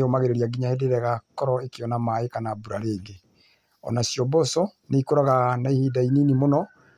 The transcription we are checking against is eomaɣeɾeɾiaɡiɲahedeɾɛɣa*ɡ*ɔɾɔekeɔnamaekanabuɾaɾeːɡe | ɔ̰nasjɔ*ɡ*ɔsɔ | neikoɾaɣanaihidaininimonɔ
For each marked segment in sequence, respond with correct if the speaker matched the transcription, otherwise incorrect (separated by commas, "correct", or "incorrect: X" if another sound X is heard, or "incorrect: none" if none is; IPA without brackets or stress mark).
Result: incorrect: k, incorrect: b